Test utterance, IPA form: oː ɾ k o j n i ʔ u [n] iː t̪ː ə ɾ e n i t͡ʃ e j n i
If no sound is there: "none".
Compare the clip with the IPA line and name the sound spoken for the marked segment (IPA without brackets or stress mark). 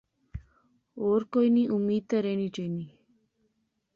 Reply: m